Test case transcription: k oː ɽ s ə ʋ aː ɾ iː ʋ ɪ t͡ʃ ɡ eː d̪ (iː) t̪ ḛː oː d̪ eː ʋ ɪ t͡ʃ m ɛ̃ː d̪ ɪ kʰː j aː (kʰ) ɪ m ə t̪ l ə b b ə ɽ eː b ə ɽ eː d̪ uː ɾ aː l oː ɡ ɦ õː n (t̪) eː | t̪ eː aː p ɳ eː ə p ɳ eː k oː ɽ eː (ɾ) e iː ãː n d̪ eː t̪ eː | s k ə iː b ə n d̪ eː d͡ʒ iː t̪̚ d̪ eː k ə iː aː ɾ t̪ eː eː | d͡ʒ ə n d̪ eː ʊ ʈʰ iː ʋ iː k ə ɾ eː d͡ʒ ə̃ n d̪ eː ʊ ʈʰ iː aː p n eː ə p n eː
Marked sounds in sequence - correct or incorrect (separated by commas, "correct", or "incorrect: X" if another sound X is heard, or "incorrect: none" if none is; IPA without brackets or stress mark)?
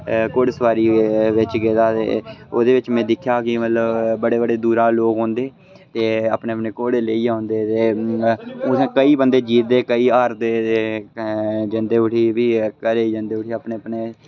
incorrect: aː, incorrect: k, incorrect: d̪, incorrect: l